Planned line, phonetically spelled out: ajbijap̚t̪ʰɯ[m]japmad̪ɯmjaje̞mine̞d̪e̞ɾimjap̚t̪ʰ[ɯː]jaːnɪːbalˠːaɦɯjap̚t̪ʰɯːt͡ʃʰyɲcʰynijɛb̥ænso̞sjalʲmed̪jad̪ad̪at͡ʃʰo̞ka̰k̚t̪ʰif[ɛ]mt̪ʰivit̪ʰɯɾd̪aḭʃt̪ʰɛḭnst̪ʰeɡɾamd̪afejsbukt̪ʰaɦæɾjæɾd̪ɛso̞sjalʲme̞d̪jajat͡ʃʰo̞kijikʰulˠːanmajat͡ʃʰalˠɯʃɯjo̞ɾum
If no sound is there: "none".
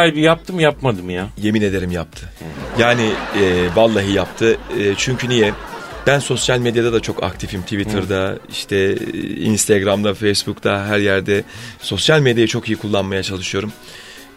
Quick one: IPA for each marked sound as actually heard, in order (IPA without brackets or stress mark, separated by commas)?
m, ɯ, i